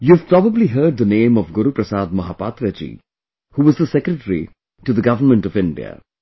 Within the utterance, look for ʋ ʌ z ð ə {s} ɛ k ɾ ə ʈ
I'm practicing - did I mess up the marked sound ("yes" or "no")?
no